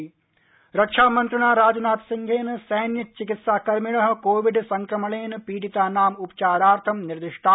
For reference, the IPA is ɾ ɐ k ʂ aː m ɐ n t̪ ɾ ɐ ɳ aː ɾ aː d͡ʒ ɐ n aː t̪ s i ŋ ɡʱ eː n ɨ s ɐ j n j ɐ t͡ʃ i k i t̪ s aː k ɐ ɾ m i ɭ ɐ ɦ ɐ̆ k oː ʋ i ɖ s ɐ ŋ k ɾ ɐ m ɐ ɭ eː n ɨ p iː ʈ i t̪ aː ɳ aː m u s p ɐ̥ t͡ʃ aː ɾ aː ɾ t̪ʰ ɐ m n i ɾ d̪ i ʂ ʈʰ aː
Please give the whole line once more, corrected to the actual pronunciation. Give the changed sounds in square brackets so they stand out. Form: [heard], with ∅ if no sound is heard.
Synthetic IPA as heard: ɾ ɐ k ʂ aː m ɐ n t̪ ɾ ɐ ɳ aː ɾ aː d͡ʒ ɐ n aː t̪ s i ŋ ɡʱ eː n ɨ s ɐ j n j ɐ t͡ʃ i k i t̪ s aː k ɐ ɾ m i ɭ ɐ ɦ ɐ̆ k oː ʋ i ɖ s ɐ ŋ k ɾ ɐ m ɐ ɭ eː n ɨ p iː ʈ i t̪ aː [n] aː m u [∅] p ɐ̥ t͡ʃ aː ɾ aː ɾ t̪ʰ ɐ m n i ɾ d̪ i ʂ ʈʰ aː